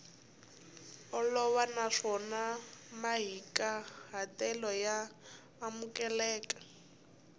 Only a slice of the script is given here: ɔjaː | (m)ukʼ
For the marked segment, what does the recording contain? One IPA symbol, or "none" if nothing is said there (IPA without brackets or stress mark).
m